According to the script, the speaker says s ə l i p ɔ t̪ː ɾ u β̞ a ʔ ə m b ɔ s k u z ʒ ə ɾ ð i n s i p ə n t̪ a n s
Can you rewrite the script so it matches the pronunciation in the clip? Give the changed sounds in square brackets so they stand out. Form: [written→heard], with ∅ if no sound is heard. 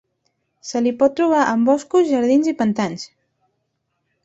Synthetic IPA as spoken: s ə l i p ɔ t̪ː ɾ u β̞ a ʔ ə m b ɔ s k u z ʒ ə ɾ ð i n [s→z] i p ə n t̪ a n s